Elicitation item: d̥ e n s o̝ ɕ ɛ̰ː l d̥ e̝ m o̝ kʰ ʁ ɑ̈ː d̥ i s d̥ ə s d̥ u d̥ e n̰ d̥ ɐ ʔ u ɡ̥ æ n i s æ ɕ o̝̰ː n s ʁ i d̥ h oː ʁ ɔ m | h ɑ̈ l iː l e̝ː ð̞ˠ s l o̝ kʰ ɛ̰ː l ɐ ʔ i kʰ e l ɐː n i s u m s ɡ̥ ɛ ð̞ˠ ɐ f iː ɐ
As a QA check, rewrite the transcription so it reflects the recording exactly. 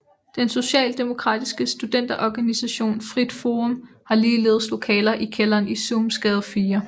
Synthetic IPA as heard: d̥ e n s o̝ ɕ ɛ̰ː l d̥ e̝ m o̝ kʰ ʁ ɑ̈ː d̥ i s ɡ̥ ə s d̥ u d̥ e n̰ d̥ ɐ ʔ ɒ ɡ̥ æ n i s æ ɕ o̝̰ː n f ʁ i d̥ f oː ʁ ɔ m | h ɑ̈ l iː l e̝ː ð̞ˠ s l o̝ kʰ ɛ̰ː l ɐ ʔ i kʰ e l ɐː n i s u m s ɡ̥ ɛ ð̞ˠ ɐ f iː ɐ

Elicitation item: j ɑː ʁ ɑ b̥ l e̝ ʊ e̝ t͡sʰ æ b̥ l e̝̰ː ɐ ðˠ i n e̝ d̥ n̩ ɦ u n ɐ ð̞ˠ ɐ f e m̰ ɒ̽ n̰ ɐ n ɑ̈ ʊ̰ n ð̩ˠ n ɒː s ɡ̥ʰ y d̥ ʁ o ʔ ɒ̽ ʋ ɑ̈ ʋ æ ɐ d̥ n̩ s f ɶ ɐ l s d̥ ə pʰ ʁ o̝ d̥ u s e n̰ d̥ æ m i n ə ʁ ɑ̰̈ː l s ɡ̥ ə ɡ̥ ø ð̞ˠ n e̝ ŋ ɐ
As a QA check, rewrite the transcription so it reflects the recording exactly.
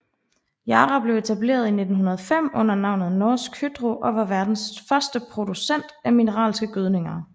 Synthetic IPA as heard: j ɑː ʁ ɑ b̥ l e̝ ʊ e̝ t͡sʰ æ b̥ l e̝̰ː ɐ ðˠ i n e̝ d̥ n̩ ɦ u n ɐ ð̞ˠ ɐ f e m̰ ɔ̽ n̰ ɐ n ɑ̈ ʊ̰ n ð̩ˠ n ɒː s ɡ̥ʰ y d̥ ʁ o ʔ ɒ̽ ʋ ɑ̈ ʋ æ ɐ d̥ n̩ s f ɶ ɐ s d̥ ə pʰ ʁ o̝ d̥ u s e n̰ d̥ æ m i n ə ʁ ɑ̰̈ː l s ɡ̥ ə ɡ̥ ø ð̞ˠ n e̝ ŋ ɐ

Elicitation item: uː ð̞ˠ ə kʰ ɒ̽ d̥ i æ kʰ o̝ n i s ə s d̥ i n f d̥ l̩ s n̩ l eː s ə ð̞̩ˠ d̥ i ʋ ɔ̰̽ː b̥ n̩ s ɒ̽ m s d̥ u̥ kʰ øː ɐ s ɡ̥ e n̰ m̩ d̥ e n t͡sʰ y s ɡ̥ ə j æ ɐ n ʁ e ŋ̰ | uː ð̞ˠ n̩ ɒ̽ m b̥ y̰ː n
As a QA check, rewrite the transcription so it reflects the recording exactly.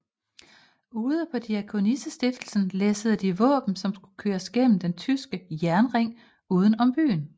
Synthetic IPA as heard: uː ð̞ˠ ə pʰ ɒ̽ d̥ i æ kʰ o̝ n i s ə s d̥ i f d̥ l̩ s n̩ l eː s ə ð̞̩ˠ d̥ i ʋ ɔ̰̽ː b̥ n̩ s ɒ̽ m s ɡ̥ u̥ kʰ øː ɐ s ɡ̥ e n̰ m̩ d̥ e n t͡sʰ y s ɡ̥ ə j æ ɐ n ʁ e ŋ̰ | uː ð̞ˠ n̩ ɒ̽ m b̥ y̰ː n

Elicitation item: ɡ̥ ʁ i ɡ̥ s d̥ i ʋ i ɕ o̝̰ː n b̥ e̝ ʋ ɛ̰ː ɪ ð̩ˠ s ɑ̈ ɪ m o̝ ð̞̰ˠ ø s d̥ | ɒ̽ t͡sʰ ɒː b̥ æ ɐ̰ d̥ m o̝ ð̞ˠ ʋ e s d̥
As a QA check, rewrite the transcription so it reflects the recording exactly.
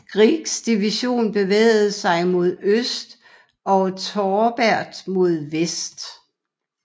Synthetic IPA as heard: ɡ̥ ʁ i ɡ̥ s d̥ i ʋ i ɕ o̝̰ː n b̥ e̝ ʋ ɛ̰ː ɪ ð̩ˠ s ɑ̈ ɪ m o̝ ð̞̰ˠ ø s d̥ | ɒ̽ t͡sʰ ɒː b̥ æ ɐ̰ d̥ m o̝ ð̞ˠ ʋ e s d̥

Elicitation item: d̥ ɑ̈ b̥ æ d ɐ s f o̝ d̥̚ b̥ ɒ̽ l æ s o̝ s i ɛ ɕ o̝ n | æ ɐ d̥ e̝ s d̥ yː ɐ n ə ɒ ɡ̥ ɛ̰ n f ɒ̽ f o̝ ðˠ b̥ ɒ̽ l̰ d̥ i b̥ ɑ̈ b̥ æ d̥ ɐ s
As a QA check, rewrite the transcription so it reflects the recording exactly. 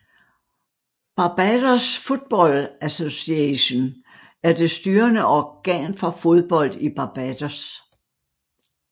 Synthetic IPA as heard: b̥ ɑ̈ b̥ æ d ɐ s f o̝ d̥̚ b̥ ɒ̽ l æ s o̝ s i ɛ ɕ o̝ n | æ ɐ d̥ e̝ s d̥ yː ɐ n ə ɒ ɡ̥ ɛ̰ n f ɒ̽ f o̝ ðˠ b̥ ɒ̽ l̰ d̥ i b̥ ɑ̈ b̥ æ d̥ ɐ s

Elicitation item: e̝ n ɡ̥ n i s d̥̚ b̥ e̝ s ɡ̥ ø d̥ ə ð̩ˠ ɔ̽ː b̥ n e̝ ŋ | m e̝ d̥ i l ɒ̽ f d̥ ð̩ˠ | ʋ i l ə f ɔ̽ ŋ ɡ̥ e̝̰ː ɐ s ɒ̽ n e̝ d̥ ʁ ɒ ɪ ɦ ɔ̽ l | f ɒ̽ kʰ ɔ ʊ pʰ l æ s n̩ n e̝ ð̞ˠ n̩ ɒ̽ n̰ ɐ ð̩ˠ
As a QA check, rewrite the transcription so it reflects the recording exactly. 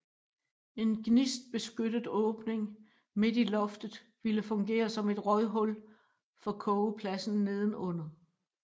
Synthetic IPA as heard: e̝ n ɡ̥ n i s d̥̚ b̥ e̝ s ɡ̥ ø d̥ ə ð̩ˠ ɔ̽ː b̥ n e̝ ŋ | m e̝ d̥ i l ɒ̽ f d̥ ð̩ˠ | ʋ i l ə f ɔ̽ ŋ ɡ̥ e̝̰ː ɐ s ɒ̽ m e̝ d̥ ʁ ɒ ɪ ɦ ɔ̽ l | f ɒ̽ kʰ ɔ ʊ pʰ l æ s n̩ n e̝ ð̞ˠ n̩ ɔ̽ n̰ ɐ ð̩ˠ

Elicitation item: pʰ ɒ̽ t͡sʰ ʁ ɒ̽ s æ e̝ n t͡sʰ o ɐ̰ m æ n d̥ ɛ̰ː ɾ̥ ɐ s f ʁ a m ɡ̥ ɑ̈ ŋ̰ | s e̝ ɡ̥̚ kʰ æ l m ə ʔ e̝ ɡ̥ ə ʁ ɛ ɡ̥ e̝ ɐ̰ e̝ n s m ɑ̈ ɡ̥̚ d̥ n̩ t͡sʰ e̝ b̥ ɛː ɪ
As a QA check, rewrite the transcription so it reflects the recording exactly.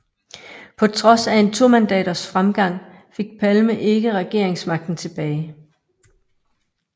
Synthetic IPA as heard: pʰ ɒ̽ t͡sʰ ʁ ɒ̽ s æ e̝ n t͡sʰ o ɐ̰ m æ n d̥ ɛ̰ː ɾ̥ ɐ s f ʁ a m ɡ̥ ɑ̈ ŋ̰ | f e̝ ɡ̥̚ pʰ æ l m ə ʔ e̝ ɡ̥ ə ʁ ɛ ɡ̥ e̝ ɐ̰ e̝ ŋ s m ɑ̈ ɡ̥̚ d̥ n̩ t͡sʰ e̝ b̥ ɛː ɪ

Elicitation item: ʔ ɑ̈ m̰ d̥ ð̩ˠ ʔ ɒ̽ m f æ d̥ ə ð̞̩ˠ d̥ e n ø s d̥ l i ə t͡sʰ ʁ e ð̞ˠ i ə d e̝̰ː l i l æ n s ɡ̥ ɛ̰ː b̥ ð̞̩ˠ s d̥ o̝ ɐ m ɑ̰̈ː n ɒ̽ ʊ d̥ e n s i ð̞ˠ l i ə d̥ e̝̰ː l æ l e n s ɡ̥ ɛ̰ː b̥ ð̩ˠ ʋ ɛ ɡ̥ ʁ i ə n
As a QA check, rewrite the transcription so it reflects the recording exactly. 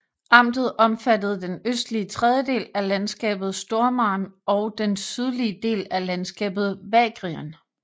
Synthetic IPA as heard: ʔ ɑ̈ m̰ d̥ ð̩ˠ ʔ ɒ̽ m f æ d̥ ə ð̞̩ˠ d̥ e n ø s d̥ l i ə t͡sʰ ʁ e ð̞ˠ j ə d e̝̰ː l æ l æ n s ɡ̥ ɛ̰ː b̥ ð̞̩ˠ s d̥ o̝ ɐ m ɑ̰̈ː n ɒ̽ ʊ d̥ e n s y ð̞ˠ l i ə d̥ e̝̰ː l æ l æ n s ɡ̥ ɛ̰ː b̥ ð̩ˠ ʋ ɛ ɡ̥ ʁ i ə n

